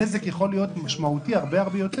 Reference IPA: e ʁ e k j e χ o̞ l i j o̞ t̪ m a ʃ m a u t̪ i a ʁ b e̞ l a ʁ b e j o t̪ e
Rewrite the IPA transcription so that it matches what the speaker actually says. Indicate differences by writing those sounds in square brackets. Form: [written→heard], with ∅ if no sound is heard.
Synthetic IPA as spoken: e [ʁ→z] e k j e χ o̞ l i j o̞ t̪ m a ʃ m a u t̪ i a ʁ b e̞ [l→∅] a ʁ b e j o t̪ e

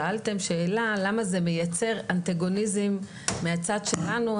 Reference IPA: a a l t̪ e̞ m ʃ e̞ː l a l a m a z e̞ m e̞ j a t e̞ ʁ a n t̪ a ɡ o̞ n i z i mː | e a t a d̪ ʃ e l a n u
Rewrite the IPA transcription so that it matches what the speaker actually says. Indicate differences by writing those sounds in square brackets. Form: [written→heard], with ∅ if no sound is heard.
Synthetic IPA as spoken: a a l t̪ e̞ m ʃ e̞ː l a l a m a z e̞ m e̞ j a [t→t͡s] e̞ ʁ a n t̪ a ɡ o̞ n i z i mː | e a [t→t͡s] a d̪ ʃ e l a n u

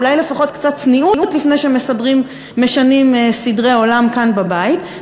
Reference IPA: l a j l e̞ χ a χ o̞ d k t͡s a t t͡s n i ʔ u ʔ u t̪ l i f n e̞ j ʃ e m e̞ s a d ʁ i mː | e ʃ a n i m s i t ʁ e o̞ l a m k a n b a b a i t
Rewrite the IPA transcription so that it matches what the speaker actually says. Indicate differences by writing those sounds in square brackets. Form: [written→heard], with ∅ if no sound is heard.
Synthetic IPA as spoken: l a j l e̞ [χ→f] a χ o̞ [d→t] k t͡s a t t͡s n i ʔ u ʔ u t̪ l i f n e̞ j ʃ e m e̞ s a d ʁ i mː | e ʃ a n i m s i [t→d] ʁ e o̞ l a m k a n b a b a i t

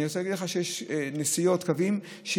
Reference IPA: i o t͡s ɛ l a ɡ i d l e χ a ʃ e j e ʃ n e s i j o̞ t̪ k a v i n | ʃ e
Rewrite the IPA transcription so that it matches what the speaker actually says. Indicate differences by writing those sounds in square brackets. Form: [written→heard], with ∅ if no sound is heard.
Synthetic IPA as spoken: i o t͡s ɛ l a ɡ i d l e χ a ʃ e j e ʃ n e s i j o̞ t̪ k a v i [n→m] | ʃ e

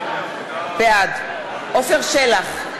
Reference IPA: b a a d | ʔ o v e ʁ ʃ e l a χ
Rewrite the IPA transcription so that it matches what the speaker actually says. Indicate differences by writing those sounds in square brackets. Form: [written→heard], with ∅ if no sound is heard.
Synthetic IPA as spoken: b [a→e] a d | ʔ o [v→f] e ʁ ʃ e l a χ

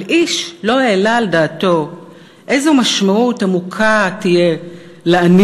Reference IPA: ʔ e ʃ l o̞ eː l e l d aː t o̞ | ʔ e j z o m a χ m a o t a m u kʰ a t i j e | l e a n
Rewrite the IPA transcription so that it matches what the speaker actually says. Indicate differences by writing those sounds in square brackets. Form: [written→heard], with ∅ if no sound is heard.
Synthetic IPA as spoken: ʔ [e→i] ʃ l o̞ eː l [e→a] l d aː t o̞ | ʔ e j z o m a [χ→ʃ] m a [o→u] t a m u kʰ a t i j e | l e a n

